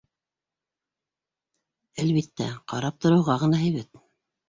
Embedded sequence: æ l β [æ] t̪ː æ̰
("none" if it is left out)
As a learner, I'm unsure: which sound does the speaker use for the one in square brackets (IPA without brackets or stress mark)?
i